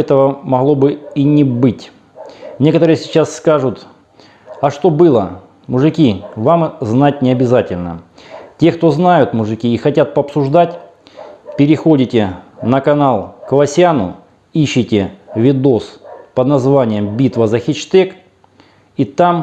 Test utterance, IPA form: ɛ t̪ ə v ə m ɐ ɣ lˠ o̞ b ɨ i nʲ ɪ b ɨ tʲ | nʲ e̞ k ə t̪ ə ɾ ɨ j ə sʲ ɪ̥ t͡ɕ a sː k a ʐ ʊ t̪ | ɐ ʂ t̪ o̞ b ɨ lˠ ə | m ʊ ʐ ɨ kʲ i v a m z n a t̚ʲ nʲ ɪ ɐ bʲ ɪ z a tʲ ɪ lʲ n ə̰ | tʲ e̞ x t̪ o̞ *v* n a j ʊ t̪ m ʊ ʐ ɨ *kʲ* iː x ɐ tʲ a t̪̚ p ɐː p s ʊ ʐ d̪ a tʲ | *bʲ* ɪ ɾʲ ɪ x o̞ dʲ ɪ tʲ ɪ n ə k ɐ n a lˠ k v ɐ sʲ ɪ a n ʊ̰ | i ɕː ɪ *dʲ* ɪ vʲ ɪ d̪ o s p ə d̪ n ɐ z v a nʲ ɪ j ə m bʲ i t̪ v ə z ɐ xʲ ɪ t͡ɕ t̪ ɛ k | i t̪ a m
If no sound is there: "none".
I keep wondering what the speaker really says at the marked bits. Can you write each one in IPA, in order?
z, kʲ, pʲ, tʲ

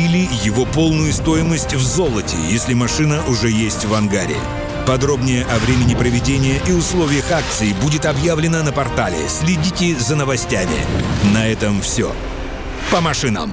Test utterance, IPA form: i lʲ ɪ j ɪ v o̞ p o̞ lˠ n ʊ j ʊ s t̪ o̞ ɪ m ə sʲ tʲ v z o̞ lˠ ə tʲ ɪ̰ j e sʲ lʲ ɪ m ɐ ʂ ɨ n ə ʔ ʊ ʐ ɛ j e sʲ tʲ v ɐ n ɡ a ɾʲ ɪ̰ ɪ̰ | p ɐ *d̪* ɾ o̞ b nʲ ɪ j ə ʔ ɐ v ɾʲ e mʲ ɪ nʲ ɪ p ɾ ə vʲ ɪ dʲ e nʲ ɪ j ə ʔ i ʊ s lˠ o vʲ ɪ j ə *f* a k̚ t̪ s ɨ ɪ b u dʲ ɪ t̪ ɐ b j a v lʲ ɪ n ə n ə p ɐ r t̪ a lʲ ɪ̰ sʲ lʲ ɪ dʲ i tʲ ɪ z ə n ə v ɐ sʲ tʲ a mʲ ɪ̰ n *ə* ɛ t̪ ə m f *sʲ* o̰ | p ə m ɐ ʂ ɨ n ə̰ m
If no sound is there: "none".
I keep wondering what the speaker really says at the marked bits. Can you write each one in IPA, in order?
d̪, x, ɐ, sʲ

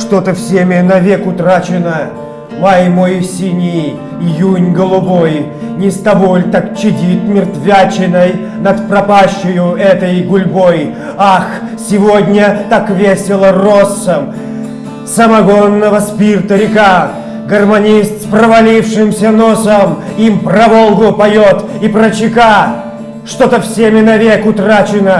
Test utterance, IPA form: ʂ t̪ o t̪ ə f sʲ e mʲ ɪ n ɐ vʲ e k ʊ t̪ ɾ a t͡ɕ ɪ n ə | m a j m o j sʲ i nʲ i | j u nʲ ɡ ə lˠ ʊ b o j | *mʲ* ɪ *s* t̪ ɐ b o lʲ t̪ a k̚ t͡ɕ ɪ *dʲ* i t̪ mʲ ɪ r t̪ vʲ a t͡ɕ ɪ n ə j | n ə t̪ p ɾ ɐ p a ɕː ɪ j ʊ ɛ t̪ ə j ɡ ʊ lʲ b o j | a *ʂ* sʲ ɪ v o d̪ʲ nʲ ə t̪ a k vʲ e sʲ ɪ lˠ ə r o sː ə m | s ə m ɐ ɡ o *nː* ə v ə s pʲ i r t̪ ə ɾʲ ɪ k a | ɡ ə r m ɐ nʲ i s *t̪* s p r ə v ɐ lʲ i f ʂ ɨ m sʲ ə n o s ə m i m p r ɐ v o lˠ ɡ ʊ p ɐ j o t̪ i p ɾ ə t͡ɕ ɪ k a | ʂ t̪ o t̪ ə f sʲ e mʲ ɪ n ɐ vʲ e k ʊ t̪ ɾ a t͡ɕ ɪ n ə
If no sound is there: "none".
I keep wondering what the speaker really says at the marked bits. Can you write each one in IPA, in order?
nʲ, s, dʲ, x, nː, t̪

